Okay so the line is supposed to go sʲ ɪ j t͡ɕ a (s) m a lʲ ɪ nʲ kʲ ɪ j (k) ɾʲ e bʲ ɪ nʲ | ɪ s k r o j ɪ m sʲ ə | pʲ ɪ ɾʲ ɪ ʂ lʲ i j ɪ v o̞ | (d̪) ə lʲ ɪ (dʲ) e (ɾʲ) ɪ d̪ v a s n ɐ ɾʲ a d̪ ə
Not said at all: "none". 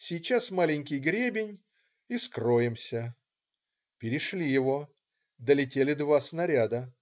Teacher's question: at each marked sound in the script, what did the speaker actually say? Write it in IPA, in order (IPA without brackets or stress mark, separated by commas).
s, ɡ, d̪, tʲ, lʲ